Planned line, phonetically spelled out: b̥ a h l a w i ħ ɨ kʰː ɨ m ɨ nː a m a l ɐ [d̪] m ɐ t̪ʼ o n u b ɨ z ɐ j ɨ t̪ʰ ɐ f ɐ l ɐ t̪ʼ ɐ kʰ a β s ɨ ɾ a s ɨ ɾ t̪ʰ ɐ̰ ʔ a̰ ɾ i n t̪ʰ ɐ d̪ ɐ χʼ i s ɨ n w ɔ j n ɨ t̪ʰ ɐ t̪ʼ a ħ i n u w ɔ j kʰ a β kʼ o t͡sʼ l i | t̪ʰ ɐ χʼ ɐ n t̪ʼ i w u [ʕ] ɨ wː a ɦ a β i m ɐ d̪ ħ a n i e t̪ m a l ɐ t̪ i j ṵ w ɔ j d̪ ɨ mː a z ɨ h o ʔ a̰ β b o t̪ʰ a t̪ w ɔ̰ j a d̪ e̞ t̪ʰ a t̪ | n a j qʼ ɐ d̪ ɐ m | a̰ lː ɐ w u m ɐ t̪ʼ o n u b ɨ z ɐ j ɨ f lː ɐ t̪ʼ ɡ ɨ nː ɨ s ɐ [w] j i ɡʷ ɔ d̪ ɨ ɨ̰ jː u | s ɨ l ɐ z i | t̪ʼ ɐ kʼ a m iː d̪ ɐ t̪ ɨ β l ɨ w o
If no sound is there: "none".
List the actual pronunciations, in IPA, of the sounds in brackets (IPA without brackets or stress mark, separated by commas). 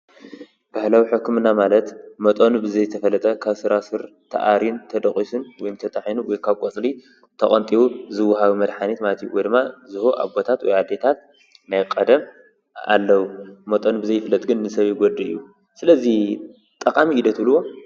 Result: t̪, z, β